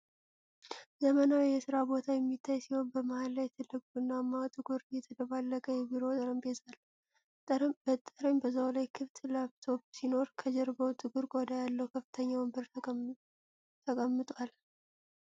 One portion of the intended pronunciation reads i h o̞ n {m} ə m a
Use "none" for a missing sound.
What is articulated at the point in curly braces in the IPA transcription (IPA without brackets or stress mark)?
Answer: b